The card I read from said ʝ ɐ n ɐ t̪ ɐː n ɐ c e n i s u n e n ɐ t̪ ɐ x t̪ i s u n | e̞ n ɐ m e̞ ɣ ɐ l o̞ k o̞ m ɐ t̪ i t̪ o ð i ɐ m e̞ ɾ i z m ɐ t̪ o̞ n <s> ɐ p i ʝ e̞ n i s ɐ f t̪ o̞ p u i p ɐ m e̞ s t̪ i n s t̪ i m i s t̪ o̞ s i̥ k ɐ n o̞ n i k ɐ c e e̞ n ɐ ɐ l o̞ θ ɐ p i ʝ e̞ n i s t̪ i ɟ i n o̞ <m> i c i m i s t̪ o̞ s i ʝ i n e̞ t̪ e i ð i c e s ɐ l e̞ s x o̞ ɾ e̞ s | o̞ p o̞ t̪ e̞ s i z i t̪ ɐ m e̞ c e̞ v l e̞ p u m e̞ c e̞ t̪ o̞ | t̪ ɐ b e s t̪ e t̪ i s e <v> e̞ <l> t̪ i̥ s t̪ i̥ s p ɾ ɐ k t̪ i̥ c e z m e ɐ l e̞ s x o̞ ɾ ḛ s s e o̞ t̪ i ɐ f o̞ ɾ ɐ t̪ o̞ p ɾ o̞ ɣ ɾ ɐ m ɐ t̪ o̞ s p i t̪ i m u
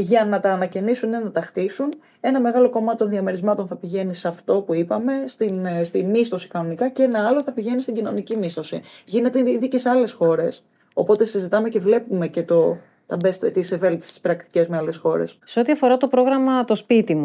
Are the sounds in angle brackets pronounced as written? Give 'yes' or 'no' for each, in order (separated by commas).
no, no, yes, yes